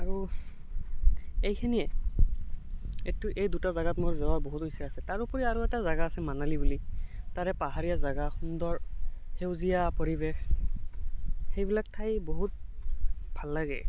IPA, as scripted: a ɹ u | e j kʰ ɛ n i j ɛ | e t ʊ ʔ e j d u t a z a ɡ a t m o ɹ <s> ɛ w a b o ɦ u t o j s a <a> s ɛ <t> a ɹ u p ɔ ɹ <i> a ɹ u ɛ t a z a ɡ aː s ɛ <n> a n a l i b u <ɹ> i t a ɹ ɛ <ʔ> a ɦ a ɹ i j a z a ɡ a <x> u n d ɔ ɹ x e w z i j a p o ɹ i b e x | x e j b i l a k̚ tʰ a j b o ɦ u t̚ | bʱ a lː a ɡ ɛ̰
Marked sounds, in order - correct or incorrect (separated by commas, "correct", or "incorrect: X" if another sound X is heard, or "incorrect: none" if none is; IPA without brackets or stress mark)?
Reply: incorrect: z, correct, correct, correct, incorrect: m, incorrect: l, incorrect: p, correct